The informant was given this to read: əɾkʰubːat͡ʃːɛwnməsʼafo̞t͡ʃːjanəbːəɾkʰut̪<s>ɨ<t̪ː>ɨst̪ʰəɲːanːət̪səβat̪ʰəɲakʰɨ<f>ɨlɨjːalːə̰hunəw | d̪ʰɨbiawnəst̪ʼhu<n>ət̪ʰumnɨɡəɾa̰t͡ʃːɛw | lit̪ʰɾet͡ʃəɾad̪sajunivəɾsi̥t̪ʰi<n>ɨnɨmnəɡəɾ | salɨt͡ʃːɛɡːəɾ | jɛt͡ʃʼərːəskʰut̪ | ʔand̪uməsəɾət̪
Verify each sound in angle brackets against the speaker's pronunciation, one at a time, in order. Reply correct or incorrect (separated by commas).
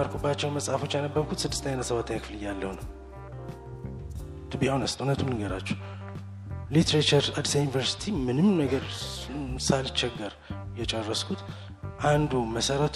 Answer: correct, incorrect, correct, correct, incorrect